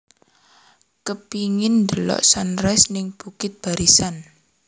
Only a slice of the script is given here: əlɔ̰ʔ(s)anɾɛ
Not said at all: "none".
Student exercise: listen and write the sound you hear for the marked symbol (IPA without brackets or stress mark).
s